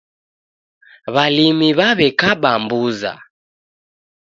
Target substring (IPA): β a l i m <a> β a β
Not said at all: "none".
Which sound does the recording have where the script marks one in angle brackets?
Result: i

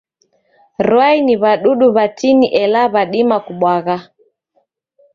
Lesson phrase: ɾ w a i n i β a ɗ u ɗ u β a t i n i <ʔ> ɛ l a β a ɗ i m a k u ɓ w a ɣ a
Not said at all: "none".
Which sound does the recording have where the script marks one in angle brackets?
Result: ʔ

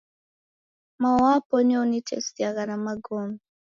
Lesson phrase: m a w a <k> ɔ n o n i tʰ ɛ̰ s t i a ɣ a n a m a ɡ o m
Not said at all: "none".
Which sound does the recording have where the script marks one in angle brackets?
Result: p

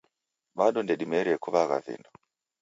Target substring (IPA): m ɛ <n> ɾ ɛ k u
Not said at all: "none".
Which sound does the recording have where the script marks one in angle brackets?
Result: none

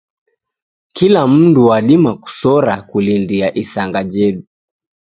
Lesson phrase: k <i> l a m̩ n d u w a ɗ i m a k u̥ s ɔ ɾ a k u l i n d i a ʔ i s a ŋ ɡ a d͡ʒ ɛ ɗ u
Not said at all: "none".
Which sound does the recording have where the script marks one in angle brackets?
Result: i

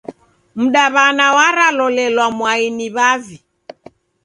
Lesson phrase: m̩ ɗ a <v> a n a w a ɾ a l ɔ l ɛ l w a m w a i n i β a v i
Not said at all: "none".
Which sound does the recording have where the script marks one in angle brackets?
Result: β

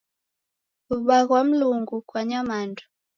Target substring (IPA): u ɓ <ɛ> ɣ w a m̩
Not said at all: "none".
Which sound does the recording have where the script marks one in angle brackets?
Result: a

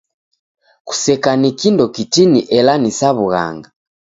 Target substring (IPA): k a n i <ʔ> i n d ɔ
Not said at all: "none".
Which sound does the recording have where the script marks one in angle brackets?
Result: k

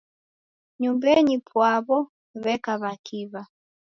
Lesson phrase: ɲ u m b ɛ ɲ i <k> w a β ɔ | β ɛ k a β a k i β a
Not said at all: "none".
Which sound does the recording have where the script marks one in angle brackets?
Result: p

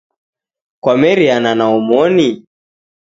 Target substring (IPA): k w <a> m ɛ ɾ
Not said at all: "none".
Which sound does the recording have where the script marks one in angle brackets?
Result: a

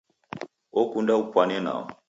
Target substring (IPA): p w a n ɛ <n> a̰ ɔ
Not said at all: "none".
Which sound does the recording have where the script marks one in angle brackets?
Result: n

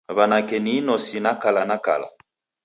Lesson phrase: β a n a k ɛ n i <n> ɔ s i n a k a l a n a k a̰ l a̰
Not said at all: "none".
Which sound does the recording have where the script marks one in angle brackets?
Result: n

